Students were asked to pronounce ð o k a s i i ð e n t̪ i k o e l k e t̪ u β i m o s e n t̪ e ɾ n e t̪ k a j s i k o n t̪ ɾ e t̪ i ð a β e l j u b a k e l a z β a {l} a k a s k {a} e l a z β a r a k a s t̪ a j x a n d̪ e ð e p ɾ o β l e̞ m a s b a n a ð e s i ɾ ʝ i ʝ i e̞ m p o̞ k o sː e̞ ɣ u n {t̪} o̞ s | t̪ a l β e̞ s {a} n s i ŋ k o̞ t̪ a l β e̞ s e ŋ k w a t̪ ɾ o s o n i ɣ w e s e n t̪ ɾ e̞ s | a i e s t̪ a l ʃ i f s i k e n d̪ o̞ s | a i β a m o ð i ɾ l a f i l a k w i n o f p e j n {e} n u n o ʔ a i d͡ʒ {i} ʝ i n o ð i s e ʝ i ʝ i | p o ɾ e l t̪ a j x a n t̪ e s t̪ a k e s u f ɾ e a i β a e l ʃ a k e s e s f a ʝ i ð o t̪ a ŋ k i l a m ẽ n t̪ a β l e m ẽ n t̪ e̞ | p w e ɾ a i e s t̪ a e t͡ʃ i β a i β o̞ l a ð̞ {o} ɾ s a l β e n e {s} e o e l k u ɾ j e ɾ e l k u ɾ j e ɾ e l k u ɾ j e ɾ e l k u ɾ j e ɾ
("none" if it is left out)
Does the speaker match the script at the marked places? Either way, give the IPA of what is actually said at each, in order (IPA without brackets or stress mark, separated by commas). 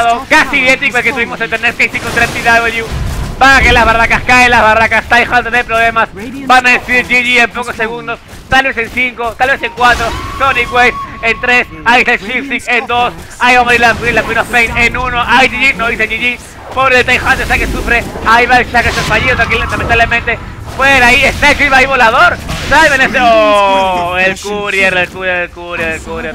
r, a, d̪, e, e, i, o, s